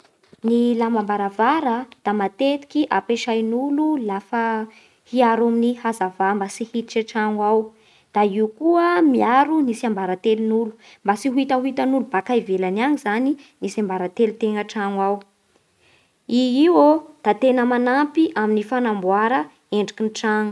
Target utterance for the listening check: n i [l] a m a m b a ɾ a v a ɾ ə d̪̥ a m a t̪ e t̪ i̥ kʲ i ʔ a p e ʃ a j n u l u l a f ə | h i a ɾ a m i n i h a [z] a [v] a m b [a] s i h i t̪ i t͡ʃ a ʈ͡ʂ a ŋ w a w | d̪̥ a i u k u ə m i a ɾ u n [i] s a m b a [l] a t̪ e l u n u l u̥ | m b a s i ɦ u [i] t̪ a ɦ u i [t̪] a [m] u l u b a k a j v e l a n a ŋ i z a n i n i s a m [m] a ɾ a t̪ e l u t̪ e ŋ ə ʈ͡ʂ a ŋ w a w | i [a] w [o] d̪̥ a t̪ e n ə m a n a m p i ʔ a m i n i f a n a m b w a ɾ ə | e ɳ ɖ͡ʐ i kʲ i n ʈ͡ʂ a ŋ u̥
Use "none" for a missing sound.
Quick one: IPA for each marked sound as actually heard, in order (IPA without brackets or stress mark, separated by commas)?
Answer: l, z, v, a, i, ɾ, i, t̪, n, b, i, o